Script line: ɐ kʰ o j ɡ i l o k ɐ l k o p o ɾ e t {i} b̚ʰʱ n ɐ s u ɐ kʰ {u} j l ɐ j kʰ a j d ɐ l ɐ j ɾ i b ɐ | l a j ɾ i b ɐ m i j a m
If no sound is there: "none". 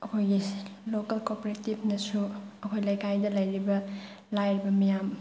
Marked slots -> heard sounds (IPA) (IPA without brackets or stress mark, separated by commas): i, o